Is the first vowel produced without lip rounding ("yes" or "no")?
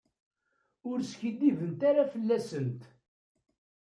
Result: no